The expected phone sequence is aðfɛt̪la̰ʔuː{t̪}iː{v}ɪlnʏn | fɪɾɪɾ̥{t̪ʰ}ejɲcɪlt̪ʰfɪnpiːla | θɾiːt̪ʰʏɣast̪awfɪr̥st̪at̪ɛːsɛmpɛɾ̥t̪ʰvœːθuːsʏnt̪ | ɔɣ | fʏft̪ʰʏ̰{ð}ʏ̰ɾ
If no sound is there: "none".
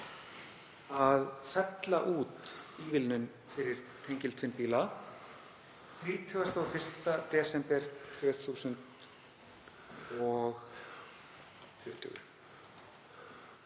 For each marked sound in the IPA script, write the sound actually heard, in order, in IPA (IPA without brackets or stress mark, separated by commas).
t̪, v, t̪ʰ, ɣ